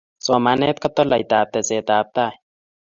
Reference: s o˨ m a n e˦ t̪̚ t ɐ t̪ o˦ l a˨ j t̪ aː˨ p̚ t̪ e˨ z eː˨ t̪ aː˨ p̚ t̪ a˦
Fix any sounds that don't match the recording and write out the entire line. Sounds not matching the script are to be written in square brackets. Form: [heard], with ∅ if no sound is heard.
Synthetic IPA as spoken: s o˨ m a n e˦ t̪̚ [k] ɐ t̪ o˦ l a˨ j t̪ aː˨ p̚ t̪ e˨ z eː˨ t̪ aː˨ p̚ t̪ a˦